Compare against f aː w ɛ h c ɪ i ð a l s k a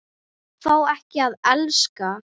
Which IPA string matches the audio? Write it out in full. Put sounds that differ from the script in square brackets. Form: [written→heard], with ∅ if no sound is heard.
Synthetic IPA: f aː w ɛ h c ɪ [i→a] ð [a→ɛ] l s k a

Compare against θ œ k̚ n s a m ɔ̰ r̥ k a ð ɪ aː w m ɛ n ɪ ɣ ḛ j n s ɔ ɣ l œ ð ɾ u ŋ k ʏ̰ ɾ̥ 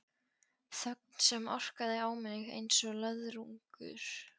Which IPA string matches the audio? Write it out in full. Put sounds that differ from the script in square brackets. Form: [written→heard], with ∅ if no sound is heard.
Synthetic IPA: θ œ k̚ n s [a→ɛ] m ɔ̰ r̥ k a ð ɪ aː w m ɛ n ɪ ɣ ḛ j n s ɔ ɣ l œ ð ɾ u ŋ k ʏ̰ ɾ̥

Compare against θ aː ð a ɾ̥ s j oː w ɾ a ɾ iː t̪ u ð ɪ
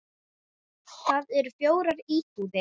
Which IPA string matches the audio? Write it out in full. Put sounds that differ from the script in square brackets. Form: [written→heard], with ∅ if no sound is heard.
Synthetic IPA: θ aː ð [a→ɛ] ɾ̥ [s→f] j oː w ɾ a ɾ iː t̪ u ð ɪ

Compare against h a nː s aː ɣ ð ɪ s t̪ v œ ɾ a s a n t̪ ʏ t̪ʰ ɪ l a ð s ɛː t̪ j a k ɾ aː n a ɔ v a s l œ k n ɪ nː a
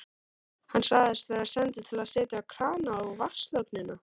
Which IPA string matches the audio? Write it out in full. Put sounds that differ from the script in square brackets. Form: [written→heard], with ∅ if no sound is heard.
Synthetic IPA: h a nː s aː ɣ ð ɪ s t̪ v [œ→ɛ] ɾ a s [a→ɛ] n t̪ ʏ t̪ʰ ɪ l a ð s ɛː t̪ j a [k→kʰ] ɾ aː n a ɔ v a s l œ k n ɪ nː a

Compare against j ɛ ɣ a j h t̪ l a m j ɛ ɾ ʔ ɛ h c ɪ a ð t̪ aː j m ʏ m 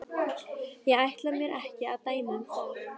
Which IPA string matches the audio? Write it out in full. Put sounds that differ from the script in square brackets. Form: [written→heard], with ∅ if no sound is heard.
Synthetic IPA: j ɛ ɣ a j h t̪ l a m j ɛ ɾ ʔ ɛ h c ɪ a ð t̪ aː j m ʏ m

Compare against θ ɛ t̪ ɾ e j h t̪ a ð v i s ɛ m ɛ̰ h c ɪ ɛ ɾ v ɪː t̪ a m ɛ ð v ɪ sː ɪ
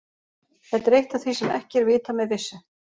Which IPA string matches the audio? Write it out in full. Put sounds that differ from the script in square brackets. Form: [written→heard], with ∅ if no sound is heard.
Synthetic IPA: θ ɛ t̪ ɾ e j h t̪ a [ð→θ] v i s ɛ m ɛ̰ h c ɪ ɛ ɾ v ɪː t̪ a m ɛ ð v ɪ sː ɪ

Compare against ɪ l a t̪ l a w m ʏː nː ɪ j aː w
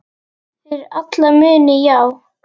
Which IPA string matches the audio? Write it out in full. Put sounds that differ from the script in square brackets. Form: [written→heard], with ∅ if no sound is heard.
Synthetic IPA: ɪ [l→ɾ] a t̪ l a [w→∅] m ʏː [nː→n] ɪ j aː w

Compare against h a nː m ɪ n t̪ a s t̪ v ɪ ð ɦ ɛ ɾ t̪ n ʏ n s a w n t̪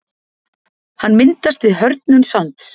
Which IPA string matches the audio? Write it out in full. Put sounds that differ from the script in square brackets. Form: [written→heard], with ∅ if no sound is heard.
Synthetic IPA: h a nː m ɪ n t̪ a s t̪ v ɪ ð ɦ [ɛ→œ] ɾ t̪ n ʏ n s a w n t̪

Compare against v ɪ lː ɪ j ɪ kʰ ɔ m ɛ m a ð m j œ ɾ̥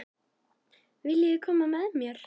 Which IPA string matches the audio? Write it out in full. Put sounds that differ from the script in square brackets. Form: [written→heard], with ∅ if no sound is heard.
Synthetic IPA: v ɪ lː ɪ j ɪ kʰ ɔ m [ɛ→a] m [a→ɛ] ð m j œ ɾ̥

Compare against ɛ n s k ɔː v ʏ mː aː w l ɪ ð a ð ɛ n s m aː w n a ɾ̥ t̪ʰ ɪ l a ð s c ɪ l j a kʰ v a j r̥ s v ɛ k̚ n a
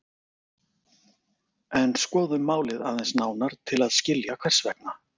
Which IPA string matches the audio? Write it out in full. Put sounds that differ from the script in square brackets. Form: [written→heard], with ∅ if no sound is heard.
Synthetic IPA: ɛ n s k ɔː [v→ð] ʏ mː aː w l ɪ ð a ð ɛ n s [m→n] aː w n a ɾ̥ t̪ʰ ɪ l a ð s c ɪ l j a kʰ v a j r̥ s v ɛ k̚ n a

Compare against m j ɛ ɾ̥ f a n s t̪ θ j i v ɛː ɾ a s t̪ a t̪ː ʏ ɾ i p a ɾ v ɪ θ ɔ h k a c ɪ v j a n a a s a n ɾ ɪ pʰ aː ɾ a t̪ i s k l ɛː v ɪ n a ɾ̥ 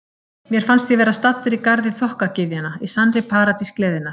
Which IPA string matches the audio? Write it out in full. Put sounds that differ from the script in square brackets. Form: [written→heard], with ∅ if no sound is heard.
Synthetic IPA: m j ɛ ɾ̥ f a n s t̪ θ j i v ɛː ɾ a s t̪ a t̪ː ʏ ɾ i [p→k] a ɾ [v→ð] ɪ θ ɔ h k a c ɪ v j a n a [a→i] s a n ɾ ɪ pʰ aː ɾ a t̪ i s k l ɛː [v→ð] ɪ n a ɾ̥

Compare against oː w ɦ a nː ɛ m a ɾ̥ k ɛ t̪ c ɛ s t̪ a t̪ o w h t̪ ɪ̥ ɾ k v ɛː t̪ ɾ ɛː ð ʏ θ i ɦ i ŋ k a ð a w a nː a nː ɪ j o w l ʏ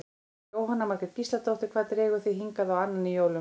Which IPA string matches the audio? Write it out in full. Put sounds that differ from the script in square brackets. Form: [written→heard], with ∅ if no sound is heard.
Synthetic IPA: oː w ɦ a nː [ɛ→a] m a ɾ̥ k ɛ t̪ c [ɛ→i] s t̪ a t̪ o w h t̪ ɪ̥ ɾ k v [ɛː→aː] t̪ ɾ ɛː [ð→ɣ] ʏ θ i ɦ i ŋ k a ð a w a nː a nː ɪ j o w l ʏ

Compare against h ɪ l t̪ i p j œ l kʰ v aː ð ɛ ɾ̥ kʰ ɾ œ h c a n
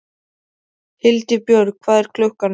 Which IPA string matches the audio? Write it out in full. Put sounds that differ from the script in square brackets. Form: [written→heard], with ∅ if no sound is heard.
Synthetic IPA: h ɪ l t̪ [i→ɪ] p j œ [l→ɾ] kʰ v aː ð ɛ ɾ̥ kʰ [ɾ→l] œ h [c→k] a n

